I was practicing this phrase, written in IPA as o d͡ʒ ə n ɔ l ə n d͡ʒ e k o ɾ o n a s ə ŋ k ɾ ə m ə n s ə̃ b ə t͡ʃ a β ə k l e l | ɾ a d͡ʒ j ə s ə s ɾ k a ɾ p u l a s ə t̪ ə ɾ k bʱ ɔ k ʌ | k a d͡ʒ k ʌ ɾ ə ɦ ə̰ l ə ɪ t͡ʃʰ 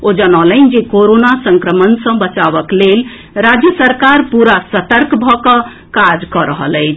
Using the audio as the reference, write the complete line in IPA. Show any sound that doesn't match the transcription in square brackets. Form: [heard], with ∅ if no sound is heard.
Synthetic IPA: o d͡ʒ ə n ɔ l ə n d͡ʒ e k o ɾ o n a s ə ŋ k ɾ ə m ə n s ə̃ b ə t͡ʃ a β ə k l e l | ɾ a d͡ʒ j ə s ə [∅] ɾ k a ɾ p u [ɾ] a s ə t̪ ə ɾ k bʱ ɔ k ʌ | k a d͡ʒ k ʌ ɾ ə ɦ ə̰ l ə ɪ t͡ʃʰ